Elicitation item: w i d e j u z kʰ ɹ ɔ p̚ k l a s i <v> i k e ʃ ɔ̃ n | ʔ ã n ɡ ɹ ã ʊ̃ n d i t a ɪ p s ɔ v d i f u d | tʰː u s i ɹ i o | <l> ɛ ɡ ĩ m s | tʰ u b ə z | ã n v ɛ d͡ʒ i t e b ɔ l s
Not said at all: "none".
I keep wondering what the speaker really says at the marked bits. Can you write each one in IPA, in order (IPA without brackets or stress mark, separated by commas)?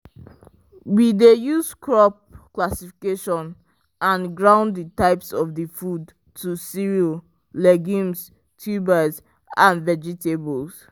f, l